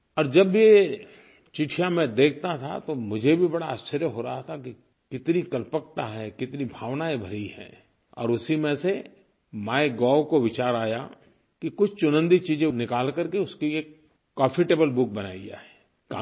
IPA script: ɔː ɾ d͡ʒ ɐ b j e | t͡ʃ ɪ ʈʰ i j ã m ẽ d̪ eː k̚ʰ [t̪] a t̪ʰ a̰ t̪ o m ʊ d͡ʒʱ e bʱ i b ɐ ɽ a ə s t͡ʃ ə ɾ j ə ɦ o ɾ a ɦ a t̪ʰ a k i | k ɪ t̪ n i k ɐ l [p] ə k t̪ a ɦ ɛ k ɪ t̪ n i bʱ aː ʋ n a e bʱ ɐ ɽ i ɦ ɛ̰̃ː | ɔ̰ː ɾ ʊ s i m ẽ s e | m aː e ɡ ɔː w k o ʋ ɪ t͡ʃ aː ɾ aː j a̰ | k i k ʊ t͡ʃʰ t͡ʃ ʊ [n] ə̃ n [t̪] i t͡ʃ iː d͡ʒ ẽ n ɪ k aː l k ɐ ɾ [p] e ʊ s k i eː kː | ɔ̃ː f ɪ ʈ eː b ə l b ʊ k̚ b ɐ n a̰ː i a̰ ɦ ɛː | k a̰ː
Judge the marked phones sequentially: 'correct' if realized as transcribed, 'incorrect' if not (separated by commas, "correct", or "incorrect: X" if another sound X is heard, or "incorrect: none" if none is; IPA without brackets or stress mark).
correct, correct, correct, incorrect: d̪, incorrect: k